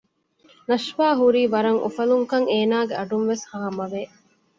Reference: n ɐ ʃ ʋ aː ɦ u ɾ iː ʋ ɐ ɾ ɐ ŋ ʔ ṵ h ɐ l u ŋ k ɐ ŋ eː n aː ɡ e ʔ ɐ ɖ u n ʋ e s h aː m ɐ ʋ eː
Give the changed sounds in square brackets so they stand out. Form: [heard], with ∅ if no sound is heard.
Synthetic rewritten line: n ɐ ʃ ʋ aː ɦ u ɾ iː ʋ ɐ ɾ ɐ ŋ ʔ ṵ [f] ɐ l u ŋ k ɐ ŋ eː n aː ɡ e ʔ ɐ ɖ u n ʋ e s h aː m ɐ ʋ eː

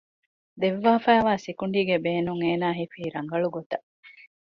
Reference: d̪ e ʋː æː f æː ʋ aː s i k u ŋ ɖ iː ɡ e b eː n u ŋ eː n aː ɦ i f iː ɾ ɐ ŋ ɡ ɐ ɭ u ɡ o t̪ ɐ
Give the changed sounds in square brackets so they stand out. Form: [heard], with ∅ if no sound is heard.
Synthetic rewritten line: d̪ e ʋː [aː] f æː ʋ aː s i k u [ɳ] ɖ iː ɡ e b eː n u ŋ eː n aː ɦ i f iː ɾ ɐ ŋ ɡ ɐ ɭ u ɡ o t̪ ɐ

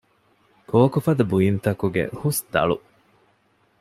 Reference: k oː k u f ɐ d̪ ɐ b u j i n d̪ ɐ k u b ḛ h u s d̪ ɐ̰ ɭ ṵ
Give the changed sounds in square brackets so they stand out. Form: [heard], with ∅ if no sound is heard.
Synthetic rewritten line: k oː k u f ɐ d̪ ɐ b u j i n [t̪] ɐ k u [ɡ] ḛ h u s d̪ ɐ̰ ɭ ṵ

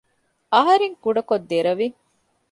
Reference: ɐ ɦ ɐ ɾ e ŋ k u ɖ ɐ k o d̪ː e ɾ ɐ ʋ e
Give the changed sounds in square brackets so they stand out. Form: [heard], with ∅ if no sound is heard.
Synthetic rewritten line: ɐ ɦ ɐ ɾ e ŋ k u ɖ ɐ k o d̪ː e ɾ ɐ ʋ [i]

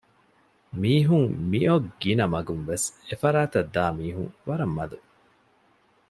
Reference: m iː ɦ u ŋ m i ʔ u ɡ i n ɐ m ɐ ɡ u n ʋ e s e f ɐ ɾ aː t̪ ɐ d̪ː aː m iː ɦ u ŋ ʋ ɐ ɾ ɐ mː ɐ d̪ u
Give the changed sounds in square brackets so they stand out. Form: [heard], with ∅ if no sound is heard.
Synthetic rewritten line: m iː ɦ u ŋ m i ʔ [o] ɡ i n ɐ m ɐ ɡ u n ʋ e s e f ɐ ɾ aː t̪ ɐ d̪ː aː m iː ɦ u ŋ ʋ ɐ ɾ ɐ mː ɐ d̪ u

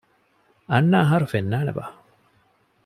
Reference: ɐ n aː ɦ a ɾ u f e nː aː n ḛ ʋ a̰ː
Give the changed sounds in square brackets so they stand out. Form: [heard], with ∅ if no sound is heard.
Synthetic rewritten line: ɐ [nː] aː ɦ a ɾ u f e nː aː n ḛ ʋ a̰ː

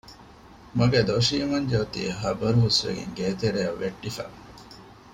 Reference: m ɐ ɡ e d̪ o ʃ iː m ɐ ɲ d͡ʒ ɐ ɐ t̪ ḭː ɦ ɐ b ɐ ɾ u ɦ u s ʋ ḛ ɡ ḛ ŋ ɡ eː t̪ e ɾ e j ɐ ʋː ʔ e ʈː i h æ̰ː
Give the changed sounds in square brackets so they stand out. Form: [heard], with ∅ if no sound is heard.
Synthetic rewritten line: m ɐ ɡ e d̪ o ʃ iː m ɐ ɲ d͡ʒ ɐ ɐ t̪ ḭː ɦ ɐ b ɐ ɾ u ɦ u s ʋ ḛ ɡ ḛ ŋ ɡ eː t̪ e ɾ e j ɐ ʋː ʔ e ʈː i [f] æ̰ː

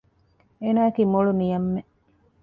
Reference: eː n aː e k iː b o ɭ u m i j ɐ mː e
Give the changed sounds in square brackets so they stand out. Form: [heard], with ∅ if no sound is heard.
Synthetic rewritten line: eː n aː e k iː [m] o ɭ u [n] i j ɐ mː e

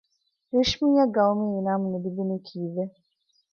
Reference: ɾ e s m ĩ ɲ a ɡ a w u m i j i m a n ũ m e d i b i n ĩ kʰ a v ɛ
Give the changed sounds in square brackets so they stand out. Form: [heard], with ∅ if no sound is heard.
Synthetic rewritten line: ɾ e [ʃ] m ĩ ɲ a ɡ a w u m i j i [n] a [m] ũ [n] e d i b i n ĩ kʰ [i] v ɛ

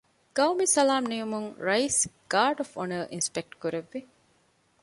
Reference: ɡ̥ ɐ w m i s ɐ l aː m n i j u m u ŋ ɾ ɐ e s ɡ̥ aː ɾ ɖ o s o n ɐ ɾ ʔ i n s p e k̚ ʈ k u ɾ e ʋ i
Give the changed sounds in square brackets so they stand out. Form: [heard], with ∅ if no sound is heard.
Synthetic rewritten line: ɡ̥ ɐ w m i s ɐ l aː m n i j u m u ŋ ɾ ɐ [i] s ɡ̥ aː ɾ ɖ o [f] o n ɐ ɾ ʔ i n s p e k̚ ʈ k u ɾ e [ʋː] i

